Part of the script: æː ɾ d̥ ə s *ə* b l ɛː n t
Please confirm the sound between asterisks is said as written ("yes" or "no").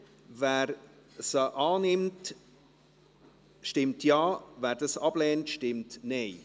no